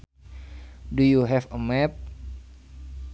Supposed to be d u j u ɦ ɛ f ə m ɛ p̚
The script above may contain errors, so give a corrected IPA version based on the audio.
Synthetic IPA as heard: d u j u ɦ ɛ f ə m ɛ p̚